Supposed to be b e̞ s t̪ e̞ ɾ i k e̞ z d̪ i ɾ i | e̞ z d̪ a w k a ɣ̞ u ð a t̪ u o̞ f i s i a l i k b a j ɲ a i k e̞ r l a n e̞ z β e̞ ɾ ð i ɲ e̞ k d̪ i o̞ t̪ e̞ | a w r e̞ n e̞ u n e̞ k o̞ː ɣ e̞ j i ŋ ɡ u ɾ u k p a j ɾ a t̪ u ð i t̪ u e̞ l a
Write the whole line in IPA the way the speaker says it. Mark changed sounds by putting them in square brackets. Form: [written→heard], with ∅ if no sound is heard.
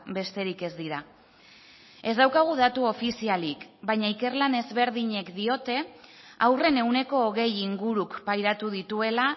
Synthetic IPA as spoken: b e̞ s t̪ e̞ ɾ i k e̞ z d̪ i ɾ [i→a] | e̞ z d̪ a w k a ɣ̞ u ð a t̪ u o̞ f i s i a l i k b a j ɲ a i k e̞ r l a n e̞ z β e̞ ɾ ð i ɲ e̞ k d̪ i o̞ t̪ e̞ | a w r e̞ n e̞ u n e̞ k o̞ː ɣ e̞ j i ŋ ɡ u ɾ u k p a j ɾ a t̪ u ð i t̪ u e̞ l a